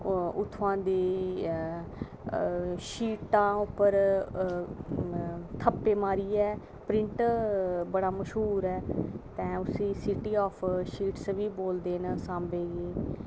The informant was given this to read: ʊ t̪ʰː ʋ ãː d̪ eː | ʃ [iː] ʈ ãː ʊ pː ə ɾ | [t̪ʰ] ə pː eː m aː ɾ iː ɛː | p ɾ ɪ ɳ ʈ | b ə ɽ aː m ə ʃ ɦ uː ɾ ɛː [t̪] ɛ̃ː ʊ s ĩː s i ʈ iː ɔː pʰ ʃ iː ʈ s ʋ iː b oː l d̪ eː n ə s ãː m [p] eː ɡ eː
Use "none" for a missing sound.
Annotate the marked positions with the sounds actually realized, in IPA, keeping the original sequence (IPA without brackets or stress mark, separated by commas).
iː, t̪ʰ, t̪, b